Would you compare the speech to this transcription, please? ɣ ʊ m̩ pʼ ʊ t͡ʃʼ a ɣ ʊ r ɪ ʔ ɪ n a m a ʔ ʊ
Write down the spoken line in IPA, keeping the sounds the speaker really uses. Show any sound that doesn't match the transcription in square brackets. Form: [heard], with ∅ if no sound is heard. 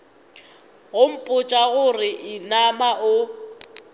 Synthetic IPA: ɣ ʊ m̩ pʼ ʊ t͡ʃʼ a ɣ ʊ r ɪ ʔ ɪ n a m a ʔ ʊ